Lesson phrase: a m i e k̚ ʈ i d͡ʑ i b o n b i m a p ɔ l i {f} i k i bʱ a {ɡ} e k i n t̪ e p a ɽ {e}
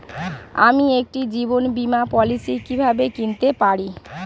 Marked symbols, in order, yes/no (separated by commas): no, no, no